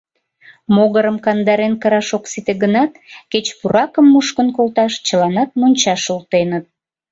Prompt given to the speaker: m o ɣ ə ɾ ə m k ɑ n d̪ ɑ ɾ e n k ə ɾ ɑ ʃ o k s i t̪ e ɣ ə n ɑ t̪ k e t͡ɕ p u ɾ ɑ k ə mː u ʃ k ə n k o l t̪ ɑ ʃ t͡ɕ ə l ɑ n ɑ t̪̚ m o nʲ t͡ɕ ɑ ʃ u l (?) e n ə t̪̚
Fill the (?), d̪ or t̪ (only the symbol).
t̪